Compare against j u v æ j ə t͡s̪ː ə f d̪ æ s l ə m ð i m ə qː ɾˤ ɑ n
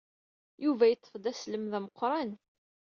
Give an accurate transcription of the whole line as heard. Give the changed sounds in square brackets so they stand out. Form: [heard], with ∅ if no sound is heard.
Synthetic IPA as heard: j u v æ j ə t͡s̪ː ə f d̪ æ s l ə m ð [æ] m ə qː ɾˤ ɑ n